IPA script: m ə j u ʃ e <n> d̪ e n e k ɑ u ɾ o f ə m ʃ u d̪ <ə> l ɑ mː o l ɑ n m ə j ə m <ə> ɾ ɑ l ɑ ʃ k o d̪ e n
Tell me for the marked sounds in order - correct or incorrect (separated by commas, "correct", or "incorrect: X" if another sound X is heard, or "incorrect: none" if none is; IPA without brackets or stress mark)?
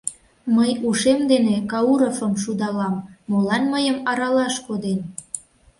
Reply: incorrect: m, incorrect: ɑ, incorrect: ɑ